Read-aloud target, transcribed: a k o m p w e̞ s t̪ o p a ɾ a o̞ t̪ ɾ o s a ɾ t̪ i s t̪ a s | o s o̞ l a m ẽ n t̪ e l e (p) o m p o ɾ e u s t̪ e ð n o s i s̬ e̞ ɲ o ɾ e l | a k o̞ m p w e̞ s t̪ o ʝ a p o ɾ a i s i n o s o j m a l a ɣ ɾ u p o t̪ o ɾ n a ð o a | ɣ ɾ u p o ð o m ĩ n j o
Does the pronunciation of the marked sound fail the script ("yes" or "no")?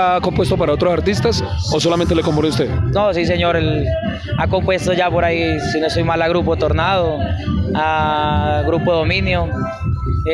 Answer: yes